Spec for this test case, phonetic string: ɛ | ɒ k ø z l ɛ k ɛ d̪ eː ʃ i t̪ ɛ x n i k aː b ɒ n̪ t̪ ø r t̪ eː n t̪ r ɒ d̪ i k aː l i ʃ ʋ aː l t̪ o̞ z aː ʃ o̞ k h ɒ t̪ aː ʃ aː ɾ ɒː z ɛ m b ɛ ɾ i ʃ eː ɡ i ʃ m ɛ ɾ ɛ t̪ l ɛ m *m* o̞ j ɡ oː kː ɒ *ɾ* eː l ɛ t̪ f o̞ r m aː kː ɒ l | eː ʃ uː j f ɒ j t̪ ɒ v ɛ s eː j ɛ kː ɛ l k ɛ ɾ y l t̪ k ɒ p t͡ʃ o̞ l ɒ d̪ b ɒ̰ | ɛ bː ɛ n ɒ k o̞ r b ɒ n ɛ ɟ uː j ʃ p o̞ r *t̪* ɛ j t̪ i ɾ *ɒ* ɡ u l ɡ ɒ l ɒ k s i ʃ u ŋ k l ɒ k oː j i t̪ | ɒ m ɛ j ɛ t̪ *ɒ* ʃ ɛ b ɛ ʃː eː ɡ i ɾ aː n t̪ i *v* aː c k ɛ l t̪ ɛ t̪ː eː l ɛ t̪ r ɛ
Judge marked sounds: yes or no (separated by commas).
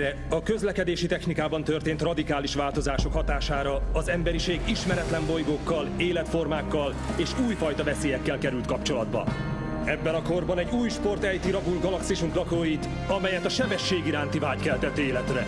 no, no, yes, yes, yes, yes